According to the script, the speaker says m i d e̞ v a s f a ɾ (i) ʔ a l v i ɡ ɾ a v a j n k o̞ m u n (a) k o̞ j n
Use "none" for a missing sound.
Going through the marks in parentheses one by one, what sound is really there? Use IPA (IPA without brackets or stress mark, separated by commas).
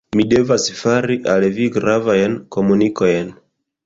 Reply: i, i